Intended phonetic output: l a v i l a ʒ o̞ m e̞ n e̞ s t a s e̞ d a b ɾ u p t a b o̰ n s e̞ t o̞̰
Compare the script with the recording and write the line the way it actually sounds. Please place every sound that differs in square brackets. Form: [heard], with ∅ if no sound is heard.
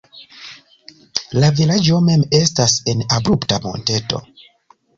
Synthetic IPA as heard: l a v i l a [d͡ʒ] o̞ m e̞ [m] e̞ s t a s e̞ [n] a b ɾ u p t a [m] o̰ n [t] e̞ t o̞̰

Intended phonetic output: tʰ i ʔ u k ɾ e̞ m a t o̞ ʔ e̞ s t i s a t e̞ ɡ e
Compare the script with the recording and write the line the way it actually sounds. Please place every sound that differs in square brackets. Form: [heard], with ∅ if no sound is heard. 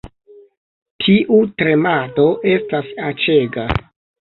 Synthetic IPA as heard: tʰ i ʔ u [t] ɾ e̞ m a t o̞ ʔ e̞ s t [a] s a [t͡ʃ] e̞ ɡ [a]

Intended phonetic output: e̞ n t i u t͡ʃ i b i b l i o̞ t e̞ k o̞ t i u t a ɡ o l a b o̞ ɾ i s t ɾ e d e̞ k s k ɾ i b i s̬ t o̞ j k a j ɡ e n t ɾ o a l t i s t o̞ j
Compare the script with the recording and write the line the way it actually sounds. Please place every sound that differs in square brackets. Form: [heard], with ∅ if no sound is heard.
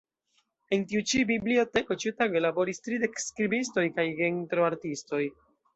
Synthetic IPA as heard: e̞ n t i u t͡ʃ i b i b l i o̞ t e̞ k o̞ [t͡ʃ] i u t a ɡ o l a b o̞ ɾ i s t ɾ [i] d e̞ k s k ɾ i b i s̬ t o̞ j k a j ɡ e n t ɾ o a [ɾ] t i s t o̞ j

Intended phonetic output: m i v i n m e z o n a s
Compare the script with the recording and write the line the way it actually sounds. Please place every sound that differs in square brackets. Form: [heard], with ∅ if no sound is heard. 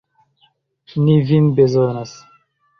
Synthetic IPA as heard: [n] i v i n [b] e z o n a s

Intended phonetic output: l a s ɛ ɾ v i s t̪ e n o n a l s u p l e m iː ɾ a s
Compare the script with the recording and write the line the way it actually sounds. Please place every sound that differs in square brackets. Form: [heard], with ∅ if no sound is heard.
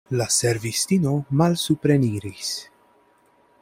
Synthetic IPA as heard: l a s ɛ ɾ v i s t̪ [i] n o [m] a l s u p [ɾ] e [n] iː ɾ [i] s

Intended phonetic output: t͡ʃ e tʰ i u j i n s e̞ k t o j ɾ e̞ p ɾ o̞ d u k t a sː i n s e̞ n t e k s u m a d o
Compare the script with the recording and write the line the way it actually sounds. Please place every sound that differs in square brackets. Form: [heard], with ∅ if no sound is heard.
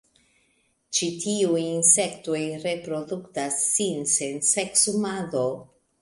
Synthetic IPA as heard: t͡ʃ [i] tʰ i u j i n s e̞ k t o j ɾ e̞ p ɾ o̞ d u k t a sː i n s e̞ n [s] e k s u m a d o

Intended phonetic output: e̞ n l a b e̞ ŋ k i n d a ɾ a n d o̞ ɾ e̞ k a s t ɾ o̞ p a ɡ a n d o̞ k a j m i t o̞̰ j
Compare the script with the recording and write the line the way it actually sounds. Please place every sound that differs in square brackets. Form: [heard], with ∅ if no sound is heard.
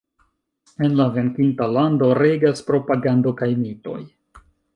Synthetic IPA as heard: e̞ n l a [v] e̞ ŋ k i n [t] a [l] a n d o̞ ɾ e̞ [ɡ] a s [p] ɾ o̞ p a ɡ a n d o̞ k a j m i t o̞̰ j

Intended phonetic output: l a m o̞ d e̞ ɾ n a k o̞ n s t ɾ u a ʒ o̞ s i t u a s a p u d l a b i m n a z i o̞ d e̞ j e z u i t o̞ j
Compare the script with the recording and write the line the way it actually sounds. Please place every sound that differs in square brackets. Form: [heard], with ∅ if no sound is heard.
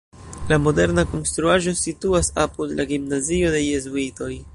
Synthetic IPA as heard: l a m o̞ d e̞ ɾ n a k o̞ n s t ɾ u a ʒ o̞ s i t u a s a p u d l a [ɡ] i m n a z i o̞ d e̞ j e z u i t o̞ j

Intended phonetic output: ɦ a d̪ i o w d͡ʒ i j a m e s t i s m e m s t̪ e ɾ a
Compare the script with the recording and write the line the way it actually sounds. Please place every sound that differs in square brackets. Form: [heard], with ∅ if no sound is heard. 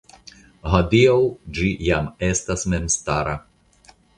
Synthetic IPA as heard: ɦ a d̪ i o w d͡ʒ i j a m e s t [a] s m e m s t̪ [a] ɾ a

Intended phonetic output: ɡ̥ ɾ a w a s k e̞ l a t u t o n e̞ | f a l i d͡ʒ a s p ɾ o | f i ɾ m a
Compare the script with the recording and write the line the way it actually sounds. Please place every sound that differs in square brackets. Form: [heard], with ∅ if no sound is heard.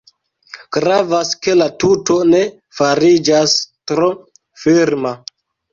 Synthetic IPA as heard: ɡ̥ ɾ a [v] a s k e̞ l a t u t o n e̞ | f a [ɾ] i d͡ʒ a s [t] ɾ o | f i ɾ m a

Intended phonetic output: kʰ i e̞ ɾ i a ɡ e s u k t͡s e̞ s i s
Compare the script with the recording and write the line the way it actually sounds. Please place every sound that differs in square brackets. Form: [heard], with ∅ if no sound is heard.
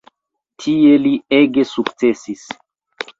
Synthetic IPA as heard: [tʰ] i e̞ [l] i [e] ɡ e s u k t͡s e̞ s i s

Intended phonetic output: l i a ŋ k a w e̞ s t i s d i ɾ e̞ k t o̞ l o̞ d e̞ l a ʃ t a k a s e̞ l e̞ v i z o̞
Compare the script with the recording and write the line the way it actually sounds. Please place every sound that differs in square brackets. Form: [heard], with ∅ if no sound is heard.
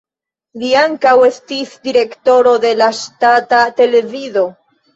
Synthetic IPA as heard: l i a ŋ k a w e̞ s t i s d i ɾ e̞ k t o̞ [ɾ] o̞ d e̞ l a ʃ t a [t] a [t] e̞ l e̞ v i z o̞

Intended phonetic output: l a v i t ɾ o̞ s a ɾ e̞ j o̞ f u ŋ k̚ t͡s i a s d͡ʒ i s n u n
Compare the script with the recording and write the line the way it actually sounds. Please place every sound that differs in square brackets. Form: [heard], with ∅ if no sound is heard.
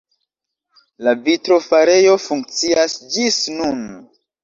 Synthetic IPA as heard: l a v i t ɾ o̞ [f] a ɾ e̞ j o̞ f u ŋ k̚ t͡s i a s d͡ʒ i s n u n

